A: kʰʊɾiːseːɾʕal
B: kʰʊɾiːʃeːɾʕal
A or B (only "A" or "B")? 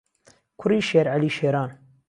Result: B